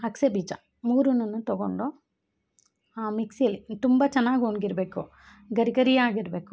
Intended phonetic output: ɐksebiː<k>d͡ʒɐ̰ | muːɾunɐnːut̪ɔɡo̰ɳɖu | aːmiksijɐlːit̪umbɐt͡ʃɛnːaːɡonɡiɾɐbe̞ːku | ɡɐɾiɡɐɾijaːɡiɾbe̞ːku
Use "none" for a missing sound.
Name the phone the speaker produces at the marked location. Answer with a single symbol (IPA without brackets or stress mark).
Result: none